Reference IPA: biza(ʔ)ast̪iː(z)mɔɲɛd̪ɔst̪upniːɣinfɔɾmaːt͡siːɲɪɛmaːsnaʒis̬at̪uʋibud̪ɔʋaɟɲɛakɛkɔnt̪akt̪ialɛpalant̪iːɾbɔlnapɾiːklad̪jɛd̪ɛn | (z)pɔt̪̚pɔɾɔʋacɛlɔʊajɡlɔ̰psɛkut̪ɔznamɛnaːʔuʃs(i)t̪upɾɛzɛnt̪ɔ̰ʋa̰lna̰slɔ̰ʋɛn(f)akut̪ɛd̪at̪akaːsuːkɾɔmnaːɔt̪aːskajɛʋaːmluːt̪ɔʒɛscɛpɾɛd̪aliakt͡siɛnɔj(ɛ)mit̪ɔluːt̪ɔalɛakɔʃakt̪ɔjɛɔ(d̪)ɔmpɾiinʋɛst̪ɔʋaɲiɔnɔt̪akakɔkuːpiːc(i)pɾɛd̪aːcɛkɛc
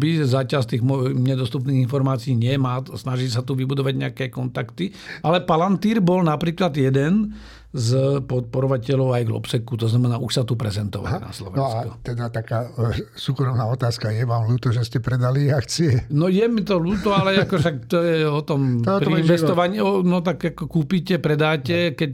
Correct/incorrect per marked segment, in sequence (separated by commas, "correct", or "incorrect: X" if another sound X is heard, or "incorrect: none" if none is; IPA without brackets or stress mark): incorrect: c, incorrect: ɣ, correct, incorrect: a, incorrect: s, correct, incorrect: t̪, incorrect: ɛ